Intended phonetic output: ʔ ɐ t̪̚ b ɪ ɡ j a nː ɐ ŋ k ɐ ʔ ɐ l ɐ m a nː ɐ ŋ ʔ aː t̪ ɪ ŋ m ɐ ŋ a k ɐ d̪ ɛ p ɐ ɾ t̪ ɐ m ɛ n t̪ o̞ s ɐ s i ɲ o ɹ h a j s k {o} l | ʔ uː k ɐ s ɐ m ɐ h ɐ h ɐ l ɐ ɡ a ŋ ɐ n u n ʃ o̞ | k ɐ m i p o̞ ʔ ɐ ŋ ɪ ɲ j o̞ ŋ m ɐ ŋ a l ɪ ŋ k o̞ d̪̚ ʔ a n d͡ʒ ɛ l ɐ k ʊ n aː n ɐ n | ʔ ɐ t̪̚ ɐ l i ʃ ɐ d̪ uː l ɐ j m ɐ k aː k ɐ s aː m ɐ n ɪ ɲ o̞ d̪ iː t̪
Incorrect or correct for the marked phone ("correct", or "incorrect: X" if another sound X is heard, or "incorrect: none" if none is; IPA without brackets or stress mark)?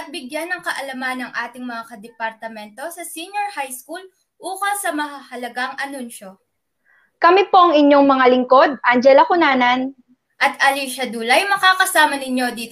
incorrect: u